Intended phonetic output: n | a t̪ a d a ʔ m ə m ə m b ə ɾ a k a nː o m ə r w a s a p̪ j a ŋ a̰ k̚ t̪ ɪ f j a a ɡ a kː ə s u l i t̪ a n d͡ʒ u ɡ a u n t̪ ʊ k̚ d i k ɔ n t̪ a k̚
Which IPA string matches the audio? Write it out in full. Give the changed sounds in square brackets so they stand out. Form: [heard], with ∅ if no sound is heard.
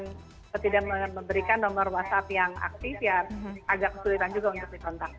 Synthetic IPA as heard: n | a t̪ [i] d a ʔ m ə m ə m b ə ɾ [i] k a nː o m ə r w a s a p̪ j a ŋ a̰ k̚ t̪ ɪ f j a a ɡ a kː ə s u l i t̪ a n d͡ʒ u ɡ a u n t̪ ʊ k̚ d i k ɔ n t̪ a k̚